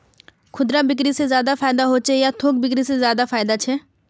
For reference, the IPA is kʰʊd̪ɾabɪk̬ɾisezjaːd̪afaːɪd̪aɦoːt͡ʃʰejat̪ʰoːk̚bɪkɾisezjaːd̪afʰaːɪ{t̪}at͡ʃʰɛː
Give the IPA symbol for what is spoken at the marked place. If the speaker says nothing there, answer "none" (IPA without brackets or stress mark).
d̪